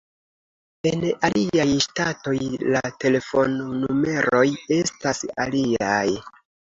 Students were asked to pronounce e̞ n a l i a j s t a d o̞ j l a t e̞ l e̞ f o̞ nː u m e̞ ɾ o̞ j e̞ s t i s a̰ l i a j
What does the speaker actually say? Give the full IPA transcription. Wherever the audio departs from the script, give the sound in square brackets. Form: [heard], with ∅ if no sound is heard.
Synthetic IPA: e̞ n a l i a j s t a [t] o̞ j l a t e̞ l e̞ f o̞ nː u m e̞ ɾ o̞ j e̞ s t [a] s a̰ l i a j